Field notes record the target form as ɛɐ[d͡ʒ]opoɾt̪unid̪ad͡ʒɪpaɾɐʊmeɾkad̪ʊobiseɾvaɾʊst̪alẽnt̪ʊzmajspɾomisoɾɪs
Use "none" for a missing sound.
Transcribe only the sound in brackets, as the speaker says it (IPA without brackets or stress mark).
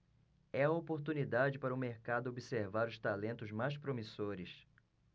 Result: none